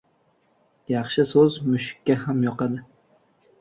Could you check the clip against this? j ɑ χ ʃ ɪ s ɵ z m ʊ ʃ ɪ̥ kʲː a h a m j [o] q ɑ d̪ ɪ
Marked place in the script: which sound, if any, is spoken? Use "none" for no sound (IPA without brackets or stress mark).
ɒ